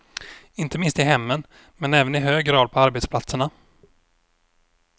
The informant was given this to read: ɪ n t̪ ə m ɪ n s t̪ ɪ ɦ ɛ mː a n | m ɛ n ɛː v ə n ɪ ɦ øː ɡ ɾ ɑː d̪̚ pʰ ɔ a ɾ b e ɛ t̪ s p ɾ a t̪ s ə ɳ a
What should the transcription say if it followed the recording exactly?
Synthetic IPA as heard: ɪ n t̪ ə m ɪ n s t̪ ɪ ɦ ɛ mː ə n | m ɛ n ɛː v ə n ɪ ɦ øː ɡ ɾ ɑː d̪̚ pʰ ɔ a ɾ b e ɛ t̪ s p l a t̪ s ə ɳ a